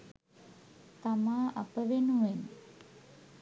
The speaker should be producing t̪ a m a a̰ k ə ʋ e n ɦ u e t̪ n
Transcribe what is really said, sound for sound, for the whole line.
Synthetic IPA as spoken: t̪ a m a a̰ p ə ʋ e n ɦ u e n